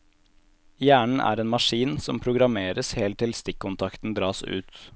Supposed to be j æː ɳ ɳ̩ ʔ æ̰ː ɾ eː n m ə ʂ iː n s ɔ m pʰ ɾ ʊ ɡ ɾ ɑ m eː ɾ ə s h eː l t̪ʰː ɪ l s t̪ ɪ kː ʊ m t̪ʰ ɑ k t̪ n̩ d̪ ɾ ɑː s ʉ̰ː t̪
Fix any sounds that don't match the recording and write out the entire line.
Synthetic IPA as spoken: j æː ɳ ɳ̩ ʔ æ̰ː ɾ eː n m ɑ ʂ iː n s ɔ m pʰ ɾ ʊ ɡ ɾ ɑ m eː ɾ ə s h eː l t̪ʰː ɪ l s t̪ ɪ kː ʊ n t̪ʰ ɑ k t̪ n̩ d̪ ɾ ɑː s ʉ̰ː t̪

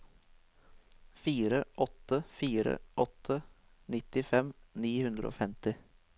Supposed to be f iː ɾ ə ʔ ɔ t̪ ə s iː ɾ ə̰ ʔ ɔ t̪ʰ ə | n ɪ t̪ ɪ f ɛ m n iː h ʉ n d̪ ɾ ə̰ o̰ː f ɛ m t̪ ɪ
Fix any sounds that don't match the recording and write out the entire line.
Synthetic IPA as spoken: f iː ɾ ə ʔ ɔ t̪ ə f iː ɾ ə̰ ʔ ɔ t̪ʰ ə | n ɪ t̪ ɪ f ɛ m n iː h ʉ n d̪ ɾ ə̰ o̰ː f ɛ m t̪ ɪ

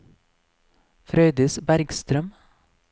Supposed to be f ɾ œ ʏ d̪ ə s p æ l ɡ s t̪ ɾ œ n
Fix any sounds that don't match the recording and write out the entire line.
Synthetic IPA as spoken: f ɾ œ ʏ d̪ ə s b æ ɾ ɡ s t̪ ɾ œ m

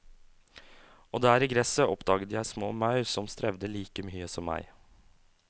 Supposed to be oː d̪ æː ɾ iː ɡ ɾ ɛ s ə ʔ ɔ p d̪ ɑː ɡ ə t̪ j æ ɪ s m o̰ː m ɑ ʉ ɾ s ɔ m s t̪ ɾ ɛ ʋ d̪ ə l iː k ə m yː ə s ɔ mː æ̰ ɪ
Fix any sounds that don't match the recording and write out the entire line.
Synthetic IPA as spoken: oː d̪ æː ɾ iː ɡ ɾ ɛ s ə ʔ ɔ p d̪ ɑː ɡ ə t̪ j æ ɪ s m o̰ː m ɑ ʉ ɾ s ɔ m s t̪ ɾ ɛ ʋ d̪ ə l iː k ə m yː ə s ɔ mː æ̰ ɪ

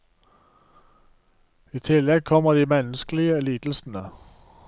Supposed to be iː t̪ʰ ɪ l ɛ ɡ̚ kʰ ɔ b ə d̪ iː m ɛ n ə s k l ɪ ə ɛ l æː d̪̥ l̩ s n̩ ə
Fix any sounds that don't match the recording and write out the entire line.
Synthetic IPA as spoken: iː t̪ʰ ɪ l ɛ ɡ̚ kʰ ɔ m ə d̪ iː m ɛ n ə s k l ɪ ə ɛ l iː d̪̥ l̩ s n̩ ə

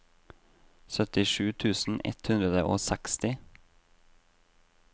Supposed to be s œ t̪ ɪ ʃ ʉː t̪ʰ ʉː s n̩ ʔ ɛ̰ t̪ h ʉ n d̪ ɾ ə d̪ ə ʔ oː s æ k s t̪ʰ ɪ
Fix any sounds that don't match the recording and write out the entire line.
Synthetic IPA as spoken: s œ t̪ ɪ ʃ ʉː t̪ʰ ʉː s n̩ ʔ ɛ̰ t̪ h ʉ n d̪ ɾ ə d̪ ə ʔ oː s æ k s t̪ ɪ

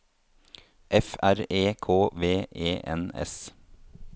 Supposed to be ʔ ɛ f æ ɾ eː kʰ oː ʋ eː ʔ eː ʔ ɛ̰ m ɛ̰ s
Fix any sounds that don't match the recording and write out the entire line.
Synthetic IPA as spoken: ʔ ɛ f æ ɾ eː kʰ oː ʋ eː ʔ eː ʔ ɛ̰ n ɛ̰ s

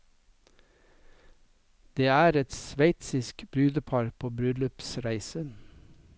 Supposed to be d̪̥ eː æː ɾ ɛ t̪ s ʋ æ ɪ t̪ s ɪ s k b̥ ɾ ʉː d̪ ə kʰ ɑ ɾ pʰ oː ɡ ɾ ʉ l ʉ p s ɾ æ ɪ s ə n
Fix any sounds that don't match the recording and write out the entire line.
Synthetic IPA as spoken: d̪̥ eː æː ɾ ɛ t̪ s ʋ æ ɪ t̪ s ɪ s k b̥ ɾ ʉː d̪ ə pʰ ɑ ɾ pʰ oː b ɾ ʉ l ʉ p s ɾ æ ɪ s ə n

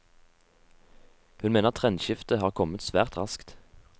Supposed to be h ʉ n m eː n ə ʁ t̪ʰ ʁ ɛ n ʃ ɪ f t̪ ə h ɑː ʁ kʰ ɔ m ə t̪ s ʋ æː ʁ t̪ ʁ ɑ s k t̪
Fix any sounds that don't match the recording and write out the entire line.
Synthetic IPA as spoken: h ʉ n m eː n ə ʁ t̪ʰ ʁ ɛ n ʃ ɪ f t̪ ə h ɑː ʁ kʰ ɔ m ə t̪ s ʋ æː ʁ t̪ ʁ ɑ s k t̪

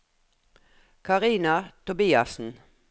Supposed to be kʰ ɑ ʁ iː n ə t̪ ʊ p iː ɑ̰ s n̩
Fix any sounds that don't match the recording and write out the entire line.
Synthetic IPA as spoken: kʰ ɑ ʁ iː n ɑ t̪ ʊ b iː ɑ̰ s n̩

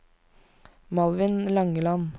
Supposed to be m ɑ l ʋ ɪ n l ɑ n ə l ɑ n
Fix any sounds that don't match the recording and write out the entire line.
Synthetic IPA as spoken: m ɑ l ʋ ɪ n l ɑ ŋ ə l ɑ n

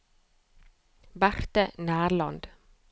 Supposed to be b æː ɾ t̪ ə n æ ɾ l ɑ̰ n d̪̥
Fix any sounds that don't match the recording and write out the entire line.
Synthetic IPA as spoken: b æ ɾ t̪ ə n æː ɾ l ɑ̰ n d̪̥

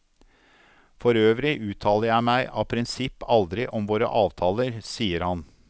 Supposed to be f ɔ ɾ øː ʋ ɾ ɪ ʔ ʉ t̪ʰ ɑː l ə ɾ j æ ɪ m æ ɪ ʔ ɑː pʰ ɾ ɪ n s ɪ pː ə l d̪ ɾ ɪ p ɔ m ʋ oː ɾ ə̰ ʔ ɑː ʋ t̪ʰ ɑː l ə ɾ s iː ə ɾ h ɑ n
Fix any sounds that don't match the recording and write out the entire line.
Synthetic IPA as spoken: f ɔ ɾ øː ʋ ɾ ɪ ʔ ʉː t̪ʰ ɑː l ə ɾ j æ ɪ m æ ɪ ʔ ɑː pʰ ɾ ɪ n s ɪ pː ɑ l d̪ ɾ ɪ ʔ ɔ m ʋ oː ɾ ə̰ ʔ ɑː ʋ t̪ʰ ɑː l ə ɾ s iː ə ɾ h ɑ n

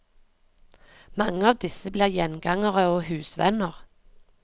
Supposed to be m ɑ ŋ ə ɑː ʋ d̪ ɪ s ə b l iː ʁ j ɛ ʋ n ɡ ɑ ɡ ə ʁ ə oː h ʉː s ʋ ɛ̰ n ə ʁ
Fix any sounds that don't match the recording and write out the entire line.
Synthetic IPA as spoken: m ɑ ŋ ə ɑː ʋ d̪ ɪ s ə b l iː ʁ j ɛ n ɡ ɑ ŋ ə ʁ ə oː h ʉː s ʋ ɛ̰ n ə ʁ

